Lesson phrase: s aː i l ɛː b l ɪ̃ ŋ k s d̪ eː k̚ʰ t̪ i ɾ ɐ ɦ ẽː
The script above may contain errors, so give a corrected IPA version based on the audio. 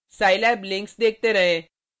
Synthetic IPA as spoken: s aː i l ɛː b l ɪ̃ ŋ k s d̪ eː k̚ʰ t̪ e ɾ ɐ ɦ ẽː